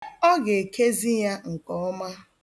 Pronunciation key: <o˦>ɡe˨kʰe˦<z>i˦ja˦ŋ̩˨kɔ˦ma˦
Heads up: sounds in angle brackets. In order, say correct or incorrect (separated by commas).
incorrect, correct